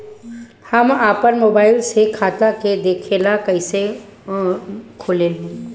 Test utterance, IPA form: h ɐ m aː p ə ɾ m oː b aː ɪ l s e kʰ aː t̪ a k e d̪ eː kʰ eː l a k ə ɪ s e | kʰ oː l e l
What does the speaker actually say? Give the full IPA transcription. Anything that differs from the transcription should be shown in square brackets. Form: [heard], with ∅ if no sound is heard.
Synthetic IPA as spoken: h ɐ m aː p ə ɾ m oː b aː ɪ l s e kʰ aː t̪ a k e d̪ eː kʰ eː l a k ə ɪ s e | kʰ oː l e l